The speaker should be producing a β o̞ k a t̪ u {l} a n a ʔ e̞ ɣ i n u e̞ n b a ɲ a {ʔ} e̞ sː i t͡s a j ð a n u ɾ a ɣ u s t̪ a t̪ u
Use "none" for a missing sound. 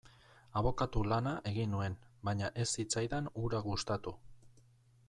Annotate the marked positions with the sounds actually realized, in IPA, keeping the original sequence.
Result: l, ʔ

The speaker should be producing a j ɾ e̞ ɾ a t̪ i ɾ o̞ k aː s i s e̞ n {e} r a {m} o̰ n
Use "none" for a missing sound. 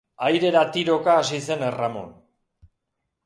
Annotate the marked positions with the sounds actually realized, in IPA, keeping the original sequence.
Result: e, m

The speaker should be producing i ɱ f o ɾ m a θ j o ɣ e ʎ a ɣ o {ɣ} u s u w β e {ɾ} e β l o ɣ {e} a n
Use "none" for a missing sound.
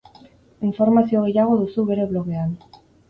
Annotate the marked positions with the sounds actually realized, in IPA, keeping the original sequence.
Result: ð, ɾ, e

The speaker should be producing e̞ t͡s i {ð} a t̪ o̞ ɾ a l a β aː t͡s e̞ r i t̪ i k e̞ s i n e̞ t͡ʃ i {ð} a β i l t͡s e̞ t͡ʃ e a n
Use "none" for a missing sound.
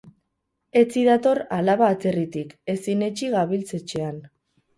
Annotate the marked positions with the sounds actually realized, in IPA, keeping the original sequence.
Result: ð, ɣ

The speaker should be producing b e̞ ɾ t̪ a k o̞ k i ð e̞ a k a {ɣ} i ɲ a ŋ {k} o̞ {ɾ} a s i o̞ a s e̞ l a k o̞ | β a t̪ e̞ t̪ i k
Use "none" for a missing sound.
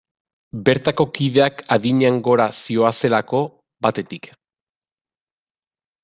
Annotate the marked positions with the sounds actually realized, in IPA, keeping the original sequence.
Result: ð, ɡ, ɾ

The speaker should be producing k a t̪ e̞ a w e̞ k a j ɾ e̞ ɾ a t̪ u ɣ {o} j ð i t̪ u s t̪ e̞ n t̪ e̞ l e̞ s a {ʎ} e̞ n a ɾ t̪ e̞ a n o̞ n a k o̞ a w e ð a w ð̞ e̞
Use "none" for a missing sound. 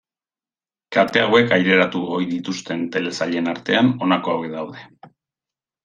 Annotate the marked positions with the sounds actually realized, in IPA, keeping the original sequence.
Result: o, ʎ

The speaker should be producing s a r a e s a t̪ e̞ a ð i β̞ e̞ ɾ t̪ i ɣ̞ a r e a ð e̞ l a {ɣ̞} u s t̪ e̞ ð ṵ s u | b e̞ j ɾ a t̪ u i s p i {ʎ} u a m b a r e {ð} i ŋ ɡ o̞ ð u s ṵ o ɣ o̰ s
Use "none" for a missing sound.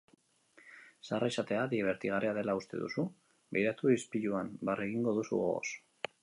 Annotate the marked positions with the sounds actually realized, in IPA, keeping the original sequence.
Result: none, ʎ, ɣ

